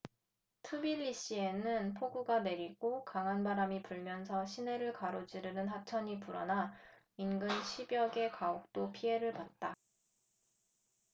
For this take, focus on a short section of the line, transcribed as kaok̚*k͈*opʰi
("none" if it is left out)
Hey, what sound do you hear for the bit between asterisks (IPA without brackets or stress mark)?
t͈